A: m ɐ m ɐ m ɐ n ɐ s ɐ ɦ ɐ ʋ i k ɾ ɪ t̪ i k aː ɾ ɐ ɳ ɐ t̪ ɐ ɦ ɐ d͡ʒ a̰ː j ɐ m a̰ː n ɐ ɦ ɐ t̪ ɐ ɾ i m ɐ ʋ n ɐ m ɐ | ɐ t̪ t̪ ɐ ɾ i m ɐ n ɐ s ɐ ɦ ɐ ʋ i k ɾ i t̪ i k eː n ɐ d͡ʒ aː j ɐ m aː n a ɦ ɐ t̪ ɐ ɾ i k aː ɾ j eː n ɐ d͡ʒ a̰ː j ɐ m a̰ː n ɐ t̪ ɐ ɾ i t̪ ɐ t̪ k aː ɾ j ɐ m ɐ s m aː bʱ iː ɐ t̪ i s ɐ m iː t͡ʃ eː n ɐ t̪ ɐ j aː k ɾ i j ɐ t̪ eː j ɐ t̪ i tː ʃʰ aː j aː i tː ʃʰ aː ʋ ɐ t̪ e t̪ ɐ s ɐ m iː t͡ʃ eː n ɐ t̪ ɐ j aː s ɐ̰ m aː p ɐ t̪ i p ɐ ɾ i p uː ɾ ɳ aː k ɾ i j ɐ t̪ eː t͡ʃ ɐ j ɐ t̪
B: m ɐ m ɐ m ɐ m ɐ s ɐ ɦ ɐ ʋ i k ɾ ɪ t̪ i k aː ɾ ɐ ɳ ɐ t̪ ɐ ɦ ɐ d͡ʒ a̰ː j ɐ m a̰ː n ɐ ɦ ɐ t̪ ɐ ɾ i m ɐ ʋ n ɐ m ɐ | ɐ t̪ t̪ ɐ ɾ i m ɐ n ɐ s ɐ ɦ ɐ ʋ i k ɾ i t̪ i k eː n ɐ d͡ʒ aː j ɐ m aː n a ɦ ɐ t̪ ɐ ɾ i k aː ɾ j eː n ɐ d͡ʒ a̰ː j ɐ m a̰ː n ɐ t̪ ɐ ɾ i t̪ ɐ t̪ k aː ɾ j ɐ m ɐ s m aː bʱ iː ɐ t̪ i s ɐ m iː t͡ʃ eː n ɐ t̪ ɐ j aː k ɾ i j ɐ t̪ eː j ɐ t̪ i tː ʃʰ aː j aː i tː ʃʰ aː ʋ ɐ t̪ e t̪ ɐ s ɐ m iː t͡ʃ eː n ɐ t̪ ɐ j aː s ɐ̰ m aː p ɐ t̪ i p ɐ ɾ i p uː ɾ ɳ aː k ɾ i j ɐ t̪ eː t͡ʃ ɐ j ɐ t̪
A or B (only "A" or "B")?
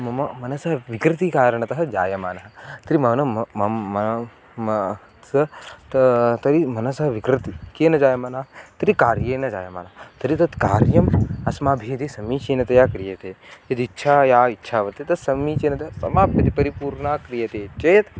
A